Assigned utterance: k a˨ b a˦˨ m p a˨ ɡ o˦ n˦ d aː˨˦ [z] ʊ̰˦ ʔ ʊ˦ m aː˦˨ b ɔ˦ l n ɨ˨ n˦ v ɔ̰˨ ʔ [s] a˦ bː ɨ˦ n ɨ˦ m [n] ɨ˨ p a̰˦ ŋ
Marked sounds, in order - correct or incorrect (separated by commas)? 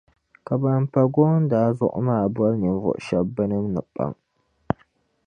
correct, incorrect, correct